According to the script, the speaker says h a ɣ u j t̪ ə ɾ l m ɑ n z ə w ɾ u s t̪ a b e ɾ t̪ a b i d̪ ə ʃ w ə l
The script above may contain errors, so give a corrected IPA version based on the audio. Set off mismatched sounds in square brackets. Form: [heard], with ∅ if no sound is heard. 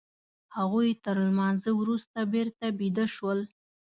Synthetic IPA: h a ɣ u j t̪ ə ɾ l m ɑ n z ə w ɾ u s t̪ a b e ɾ t̪ a b i d̪ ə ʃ w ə l